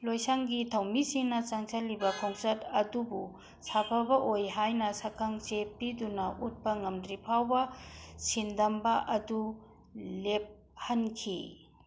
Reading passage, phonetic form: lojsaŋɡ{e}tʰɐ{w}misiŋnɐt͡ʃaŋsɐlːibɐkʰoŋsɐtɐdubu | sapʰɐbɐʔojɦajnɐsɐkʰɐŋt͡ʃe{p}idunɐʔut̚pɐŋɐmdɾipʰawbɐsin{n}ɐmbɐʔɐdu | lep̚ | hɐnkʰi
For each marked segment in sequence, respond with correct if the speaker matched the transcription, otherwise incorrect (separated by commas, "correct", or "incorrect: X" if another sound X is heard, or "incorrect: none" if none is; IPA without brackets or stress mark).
incorrect: i, correct, correct, incorrect: d